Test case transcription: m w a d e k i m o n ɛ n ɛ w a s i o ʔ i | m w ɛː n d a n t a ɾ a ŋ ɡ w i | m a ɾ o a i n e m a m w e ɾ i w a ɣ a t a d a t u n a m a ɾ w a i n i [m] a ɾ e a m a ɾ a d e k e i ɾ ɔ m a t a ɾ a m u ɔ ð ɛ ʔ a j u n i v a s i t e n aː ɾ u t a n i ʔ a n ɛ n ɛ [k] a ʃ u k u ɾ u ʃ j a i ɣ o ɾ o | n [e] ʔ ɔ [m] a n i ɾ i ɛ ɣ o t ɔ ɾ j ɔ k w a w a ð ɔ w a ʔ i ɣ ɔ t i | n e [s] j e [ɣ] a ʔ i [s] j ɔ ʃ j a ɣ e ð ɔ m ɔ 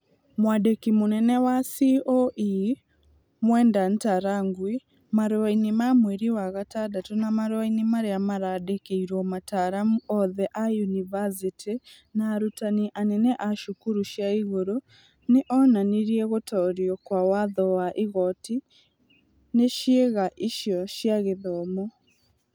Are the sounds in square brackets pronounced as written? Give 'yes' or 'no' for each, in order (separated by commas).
yes, no, yes, no, no, yes, no